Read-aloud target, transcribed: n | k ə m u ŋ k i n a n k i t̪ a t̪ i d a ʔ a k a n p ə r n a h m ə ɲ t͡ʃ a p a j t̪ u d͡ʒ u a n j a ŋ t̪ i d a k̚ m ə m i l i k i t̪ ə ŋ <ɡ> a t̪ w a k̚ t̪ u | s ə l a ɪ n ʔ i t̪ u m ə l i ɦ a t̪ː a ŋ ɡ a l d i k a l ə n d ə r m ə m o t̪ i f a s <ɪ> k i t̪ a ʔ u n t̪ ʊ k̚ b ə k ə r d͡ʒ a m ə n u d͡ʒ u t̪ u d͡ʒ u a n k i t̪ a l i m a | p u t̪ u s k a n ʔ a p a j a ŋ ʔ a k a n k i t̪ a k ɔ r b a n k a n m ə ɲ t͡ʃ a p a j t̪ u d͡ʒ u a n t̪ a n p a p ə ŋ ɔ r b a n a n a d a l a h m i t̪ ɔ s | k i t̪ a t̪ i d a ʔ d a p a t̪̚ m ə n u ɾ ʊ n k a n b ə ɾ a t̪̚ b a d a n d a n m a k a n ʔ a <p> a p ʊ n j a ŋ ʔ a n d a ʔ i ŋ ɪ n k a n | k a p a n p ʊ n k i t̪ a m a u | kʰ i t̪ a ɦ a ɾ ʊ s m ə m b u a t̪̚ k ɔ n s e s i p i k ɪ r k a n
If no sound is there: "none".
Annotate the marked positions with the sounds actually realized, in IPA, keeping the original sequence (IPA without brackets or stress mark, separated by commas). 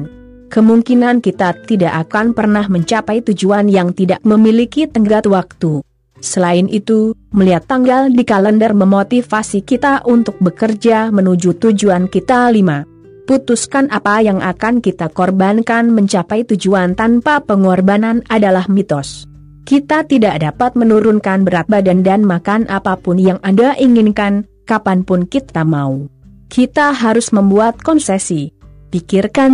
ɡ, i, p